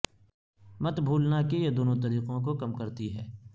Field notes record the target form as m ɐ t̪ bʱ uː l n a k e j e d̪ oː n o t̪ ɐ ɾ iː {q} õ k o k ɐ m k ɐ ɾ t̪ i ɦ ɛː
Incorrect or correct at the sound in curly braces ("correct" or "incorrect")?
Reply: correct